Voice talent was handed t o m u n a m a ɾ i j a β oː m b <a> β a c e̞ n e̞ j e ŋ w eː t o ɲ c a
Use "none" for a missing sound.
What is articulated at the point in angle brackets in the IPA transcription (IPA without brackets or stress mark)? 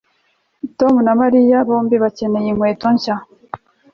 i